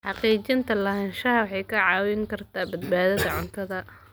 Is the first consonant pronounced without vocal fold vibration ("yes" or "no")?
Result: yes